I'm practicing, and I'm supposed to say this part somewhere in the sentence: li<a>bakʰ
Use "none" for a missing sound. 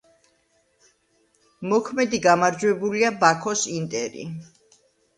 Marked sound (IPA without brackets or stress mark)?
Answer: a